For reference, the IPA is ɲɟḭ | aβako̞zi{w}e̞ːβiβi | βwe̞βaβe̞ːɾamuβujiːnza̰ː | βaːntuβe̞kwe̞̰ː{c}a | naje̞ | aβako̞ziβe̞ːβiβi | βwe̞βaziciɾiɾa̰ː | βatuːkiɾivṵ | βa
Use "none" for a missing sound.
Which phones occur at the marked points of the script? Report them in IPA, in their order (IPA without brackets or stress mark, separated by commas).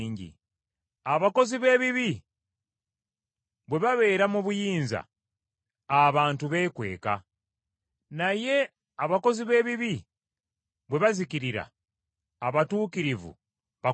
β, k